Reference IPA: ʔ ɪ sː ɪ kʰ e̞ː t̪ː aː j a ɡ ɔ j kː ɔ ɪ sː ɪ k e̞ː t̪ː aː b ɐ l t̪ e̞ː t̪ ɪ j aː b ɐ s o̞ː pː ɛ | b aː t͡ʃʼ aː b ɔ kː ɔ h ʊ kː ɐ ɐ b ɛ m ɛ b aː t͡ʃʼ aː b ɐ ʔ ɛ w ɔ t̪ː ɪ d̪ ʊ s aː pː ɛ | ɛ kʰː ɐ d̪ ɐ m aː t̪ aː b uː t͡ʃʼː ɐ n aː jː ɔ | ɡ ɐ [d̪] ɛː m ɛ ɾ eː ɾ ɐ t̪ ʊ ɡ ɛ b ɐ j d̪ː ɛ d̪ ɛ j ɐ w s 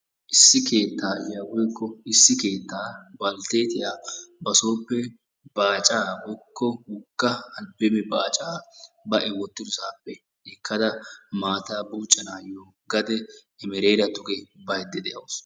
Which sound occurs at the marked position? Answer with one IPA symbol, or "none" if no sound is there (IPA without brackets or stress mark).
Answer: d̪